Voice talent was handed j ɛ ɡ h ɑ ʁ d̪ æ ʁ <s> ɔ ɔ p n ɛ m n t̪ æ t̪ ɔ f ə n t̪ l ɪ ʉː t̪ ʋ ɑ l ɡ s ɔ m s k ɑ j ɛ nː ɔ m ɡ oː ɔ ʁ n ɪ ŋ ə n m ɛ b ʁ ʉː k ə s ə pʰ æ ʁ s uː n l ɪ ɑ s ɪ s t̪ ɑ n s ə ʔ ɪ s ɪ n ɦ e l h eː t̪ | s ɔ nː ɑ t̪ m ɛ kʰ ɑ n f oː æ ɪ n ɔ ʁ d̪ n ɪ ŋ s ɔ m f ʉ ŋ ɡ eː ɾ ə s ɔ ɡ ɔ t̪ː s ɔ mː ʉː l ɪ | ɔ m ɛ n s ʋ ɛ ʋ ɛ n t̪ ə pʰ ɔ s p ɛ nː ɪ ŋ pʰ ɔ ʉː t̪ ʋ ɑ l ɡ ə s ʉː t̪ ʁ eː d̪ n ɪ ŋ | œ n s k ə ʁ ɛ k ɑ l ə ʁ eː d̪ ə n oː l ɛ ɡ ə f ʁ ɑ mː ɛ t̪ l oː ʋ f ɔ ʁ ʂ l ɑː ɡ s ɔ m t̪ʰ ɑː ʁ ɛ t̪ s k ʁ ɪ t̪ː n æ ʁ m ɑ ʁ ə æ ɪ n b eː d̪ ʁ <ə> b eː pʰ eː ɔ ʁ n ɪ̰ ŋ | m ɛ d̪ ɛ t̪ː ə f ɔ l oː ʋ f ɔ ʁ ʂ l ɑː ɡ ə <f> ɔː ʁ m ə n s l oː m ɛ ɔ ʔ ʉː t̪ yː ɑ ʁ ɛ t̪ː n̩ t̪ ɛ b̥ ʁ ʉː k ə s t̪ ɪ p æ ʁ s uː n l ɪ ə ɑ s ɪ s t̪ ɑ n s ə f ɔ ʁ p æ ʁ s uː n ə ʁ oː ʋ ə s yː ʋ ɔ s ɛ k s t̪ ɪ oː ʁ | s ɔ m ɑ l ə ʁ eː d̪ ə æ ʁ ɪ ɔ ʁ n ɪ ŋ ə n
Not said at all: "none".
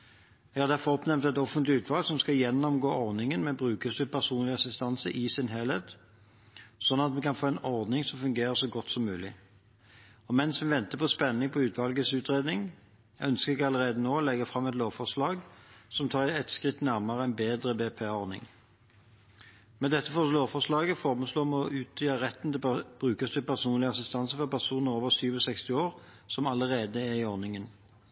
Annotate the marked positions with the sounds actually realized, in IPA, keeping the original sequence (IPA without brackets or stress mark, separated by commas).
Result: f, ə, f